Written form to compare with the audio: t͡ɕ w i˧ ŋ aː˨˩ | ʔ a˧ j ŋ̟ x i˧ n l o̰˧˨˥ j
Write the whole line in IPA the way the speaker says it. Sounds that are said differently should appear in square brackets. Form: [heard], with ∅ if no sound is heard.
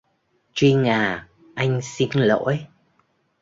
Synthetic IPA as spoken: t͡ɕ w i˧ ŋ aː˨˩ | ʔ a˧ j ŋ̟ [s] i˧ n l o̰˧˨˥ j